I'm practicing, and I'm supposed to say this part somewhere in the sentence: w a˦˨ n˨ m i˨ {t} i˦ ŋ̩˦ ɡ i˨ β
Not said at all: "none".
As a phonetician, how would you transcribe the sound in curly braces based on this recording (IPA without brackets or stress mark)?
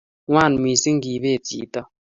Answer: s